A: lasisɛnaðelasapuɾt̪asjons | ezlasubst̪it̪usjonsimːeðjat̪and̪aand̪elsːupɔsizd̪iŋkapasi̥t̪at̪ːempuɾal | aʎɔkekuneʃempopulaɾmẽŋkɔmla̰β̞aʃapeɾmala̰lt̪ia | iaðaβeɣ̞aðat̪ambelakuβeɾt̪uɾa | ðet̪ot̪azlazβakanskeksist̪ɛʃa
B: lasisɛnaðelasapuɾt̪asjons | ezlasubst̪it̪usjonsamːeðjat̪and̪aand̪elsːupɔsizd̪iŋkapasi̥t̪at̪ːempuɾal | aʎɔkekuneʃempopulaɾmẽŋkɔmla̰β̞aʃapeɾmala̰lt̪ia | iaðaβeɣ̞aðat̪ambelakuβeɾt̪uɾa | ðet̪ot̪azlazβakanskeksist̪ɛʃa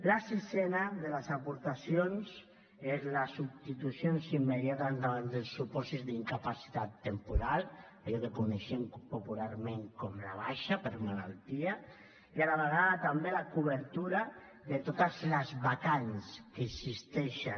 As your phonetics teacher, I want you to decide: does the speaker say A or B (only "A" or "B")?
A